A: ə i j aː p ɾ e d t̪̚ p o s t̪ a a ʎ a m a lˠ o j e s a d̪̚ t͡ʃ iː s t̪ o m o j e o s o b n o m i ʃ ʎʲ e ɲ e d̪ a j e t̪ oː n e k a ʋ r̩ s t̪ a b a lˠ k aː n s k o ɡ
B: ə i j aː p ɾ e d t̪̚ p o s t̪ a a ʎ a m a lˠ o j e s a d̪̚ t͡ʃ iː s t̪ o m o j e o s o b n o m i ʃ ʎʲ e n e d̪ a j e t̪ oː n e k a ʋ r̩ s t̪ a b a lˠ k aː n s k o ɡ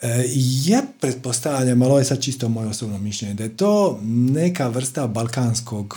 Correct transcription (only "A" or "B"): A